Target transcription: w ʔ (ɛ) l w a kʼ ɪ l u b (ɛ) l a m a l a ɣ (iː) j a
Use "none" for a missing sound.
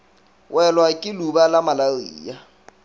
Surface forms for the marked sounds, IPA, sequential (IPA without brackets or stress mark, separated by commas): ɛ, a, iː